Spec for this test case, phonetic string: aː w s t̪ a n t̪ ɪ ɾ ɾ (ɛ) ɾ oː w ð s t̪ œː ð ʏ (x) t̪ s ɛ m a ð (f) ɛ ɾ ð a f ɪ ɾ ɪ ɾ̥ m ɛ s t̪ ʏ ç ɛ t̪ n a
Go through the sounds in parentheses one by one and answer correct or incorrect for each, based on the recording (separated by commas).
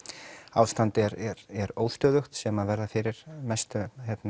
correct, correct, incorrect